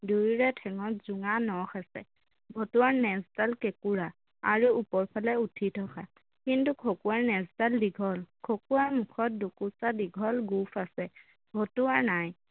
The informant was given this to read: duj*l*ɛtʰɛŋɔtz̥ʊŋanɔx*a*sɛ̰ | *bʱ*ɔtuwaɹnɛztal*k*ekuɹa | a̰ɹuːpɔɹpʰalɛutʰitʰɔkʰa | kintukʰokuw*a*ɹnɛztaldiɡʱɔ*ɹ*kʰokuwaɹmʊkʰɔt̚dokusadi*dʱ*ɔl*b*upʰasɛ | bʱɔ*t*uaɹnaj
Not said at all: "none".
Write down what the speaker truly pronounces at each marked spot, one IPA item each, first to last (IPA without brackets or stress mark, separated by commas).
ɹ, a, bʱ, k, a, l, ɡʱ, ɡ, t